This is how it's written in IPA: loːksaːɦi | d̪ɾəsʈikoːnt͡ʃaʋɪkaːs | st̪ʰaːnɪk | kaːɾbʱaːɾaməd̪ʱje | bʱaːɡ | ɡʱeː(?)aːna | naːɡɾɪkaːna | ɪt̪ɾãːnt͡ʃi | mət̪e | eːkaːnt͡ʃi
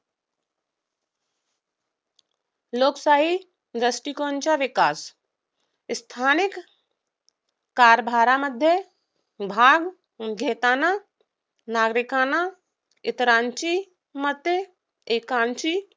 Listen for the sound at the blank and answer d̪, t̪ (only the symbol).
t̪